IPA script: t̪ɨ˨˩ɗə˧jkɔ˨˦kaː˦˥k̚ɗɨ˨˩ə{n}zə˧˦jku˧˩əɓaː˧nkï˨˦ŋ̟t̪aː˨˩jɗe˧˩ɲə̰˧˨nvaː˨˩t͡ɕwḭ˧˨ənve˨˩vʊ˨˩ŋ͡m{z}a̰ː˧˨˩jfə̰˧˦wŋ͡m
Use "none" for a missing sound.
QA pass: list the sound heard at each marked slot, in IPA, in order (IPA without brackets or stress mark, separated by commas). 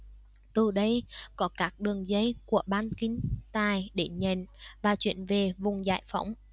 ŋ, z